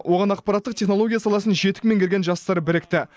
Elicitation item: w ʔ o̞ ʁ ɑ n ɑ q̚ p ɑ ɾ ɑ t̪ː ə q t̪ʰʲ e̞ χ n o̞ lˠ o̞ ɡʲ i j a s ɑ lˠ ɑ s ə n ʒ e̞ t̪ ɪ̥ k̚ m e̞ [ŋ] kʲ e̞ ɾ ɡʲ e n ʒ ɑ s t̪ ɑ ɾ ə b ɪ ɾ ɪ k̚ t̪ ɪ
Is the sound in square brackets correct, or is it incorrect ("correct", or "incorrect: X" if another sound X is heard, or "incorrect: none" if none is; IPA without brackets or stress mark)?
correct